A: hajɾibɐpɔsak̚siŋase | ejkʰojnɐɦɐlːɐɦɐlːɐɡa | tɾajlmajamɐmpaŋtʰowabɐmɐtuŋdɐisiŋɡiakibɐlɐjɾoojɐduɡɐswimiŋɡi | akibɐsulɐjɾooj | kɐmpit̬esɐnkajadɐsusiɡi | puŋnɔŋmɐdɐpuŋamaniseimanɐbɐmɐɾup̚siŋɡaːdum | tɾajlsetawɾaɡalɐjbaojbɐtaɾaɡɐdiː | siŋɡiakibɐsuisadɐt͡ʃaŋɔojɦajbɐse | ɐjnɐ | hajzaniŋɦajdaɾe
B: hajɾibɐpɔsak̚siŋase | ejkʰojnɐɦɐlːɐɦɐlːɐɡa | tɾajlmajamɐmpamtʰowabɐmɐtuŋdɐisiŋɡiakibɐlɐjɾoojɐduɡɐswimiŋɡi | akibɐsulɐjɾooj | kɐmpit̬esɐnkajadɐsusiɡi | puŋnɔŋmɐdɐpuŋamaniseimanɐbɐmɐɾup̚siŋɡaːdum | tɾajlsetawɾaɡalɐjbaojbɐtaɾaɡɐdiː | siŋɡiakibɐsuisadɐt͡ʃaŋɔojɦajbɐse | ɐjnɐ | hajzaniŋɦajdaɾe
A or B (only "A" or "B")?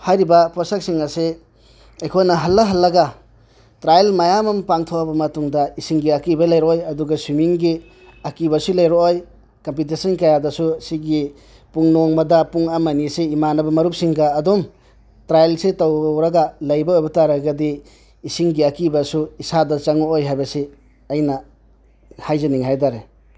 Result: A